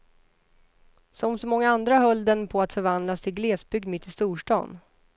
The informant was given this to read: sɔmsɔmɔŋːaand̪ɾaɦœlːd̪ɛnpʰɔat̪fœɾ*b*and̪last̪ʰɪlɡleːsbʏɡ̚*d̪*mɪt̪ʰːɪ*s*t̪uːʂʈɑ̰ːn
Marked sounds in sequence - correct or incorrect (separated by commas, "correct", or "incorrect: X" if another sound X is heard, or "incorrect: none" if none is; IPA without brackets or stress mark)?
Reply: incorrect: v, correct, correct